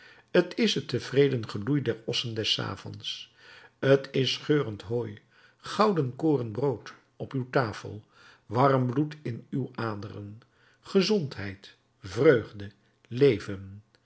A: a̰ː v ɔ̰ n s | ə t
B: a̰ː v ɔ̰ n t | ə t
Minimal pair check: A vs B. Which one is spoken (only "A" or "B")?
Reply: A